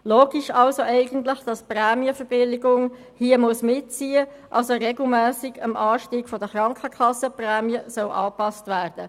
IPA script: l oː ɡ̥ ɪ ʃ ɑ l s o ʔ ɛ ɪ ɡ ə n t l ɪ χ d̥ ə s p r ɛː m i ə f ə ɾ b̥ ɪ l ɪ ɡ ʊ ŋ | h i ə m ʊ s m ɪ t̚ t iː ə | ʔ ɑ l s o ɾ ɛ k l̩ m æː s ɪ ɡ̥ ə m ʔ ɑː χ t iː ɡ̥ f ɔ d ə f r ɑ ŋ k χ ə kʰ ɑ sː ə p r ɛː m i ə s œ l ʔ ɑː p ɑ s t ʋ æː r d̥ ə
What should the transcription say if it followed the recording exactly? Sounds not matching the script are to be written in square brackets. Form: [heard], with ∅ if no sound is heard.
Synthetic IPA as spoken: l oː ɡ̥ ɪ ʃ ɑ l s o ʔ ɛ ɪ ɡ ə n t l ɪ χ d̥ [ɑ] s p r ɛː m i ə f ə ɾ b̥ ɪ l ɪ ɡ ʊ ŋ | h i ə m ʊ s m ɪ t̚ [t͡s] iː ə | ʔ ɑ l s o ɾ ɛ [ɡ] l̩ m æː s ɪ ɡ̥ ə m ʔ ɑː [ʃ] t iː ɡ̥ f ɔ d ə [χ] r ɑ ŋ k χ ə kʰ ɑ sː ə p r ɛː m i ə s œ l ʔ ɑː p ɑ s t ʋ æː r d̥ ə